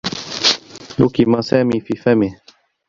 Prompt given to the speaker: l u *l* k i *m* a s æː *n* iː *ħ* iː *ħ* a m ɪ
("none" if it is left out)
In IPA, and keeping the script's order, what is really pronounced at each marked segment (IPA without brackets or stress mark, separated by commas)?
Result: none, m, m, f, f